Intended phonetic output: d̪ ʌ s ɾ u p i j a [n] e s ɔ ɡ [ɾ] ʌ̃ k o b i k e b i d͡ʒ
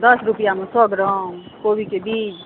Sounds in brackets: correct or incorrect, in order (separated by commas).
incorrect, correct